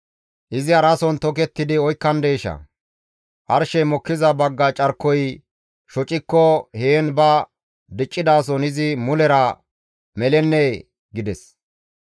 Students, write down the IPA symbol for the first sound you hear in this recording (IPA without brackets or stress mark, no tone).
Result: ʔ